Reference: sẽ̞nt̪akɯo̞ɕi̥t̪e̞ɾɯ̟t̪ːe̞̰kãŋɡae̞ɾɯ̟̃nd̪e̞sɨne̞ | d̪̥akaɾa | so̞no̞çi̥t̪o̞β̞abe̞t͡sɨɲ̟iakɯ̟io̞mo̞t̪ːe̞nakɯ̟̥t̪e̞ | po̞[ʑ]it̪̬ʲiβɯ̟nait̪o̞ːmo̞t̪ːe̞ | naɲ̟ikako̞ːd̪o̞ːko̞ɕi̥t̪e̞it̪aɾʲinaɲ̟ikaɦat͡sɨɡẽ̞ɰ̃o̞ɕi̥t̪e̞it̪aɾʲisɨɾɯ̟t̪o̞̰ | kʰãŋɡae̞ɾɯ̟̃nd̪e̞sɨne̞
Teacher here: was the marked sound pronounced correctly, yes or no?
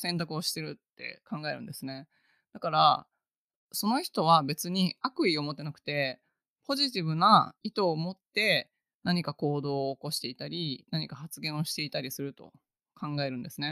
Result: yes